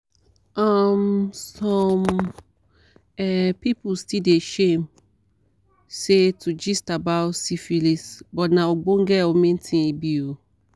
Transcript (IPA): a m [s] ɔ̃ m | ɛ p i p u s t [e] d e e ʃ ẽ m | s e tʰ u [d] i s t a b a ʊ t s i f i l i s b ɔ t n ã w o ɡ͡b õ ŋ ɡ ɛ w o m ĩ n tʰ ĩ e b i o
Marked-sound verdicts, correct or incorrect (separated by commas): correct, incorrect, incorrect